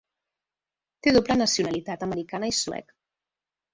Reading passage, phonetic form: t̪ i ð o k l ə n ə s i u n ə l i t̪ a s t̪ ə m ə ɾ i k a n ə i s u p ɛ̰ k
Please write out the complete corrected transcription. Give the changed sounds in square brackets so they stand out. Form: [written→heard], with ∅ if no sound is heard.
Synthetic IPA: t̪ [i→e] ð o [k→p] l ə n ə s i u n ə l i t̪ a [s→∅] t̪ ə m ə ɾ i k a n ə i s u [p→∅] ɛ̰ k